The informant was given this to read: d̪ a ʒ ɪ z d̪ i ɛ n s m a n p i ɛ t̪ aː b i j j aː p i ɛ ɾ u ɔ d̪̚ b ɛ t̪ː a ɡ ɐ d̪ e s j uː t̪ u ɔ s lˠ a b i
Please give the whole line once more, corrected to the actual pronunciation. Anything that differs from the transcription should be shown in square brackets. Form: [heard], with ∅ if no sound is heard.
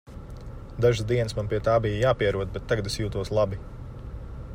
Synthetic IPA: d̪ a ʒ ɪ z d̪ i ɛ n s m a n p i ɛ t̪ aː b i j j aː p i ɛ ɾ u ɔ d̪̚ b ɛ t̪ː a ɡ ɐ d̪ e s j uː t̪ u ɔ s lˠ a b i